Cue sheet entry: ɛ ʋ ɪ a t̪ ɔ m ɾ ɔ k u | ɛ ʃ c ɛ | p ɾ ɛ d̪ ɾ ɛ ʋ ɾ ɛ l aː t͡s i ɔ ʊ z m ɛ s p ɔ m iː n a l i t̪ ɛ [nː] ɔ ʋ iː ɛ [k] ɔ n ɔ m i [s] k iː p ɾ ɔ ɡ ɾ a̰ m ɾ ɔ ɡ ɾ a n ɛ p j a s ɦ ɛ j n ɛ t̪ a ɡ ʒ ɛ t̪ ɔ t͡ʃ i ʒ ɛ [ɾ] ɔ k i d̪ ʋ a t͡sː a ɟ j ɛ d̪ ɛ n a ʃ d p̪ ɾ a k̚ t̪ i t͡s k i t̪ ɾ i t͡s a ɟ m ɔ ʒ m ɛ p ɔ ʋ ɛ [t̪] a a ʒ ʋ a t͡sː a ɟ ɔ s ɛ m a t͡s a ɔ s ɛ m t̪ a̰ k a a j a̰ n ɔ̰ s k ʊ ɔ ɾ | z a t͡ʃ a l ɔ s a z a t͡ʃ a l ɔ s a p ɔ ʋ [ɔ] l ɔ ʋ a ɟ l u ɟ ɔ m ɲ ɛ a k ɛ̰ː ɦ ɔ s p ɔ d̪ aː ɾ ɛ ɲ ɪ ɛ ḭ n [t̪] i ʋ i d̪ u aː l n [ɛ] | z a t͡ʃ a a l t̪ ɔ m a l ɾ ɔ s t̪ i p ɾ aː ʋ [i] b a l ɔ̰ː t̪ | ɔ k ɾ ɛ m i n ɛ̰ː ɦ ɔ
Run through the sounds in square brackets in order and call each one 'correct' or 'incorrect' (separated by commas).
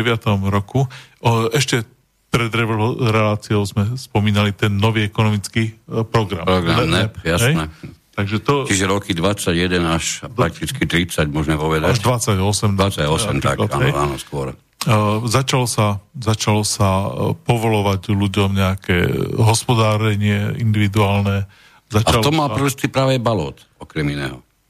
correct, correct, incorrect, correct, incorrect, correct, incorrect, correct, incorrect